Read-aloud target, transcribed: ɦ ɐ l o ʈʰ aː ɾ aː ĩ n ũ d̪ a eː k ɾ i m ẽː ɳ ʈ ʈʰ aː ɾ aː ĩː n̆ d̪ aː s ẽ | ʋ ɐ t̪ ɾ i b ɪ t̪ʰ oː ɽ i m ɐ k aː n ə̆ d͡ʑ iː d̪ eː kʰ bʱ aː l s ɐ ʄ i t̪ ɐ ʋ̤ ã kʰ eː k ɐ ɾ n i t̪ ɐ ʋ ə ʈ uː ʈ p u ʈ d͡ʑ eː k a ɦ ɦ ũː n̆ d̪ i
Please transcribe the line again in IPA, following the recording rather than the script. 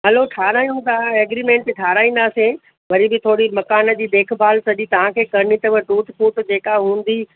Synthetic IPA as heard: ɦ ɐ l o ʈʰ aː ɾ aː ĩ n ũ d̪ a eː ɡ ɾ i m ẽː ɳ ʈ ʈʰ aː ɾ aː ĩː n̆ d̪ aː s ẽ | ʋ ɐ ɾ i b ɪ t̪ʰ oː ɽ i m ɐ k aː n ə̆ d͡ʑ iː d̪ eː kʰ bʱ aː l s ɐ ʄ i t̪ ɐ ʋ̤ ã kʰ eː k ɐ ɾ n i t̪ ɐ ʋ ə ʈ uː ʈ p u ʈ d͡ʑ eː k a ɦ ɦ ũː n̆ d̪ i